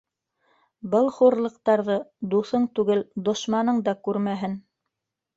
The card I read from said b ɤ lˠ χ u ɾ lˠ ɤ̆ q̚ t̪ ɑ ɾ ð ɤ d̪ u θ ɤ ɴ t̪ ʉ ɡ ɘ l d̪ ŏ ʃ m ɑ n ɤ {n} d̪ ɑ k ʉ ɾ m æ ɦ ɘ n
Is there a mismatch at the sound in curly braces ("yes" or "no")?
yes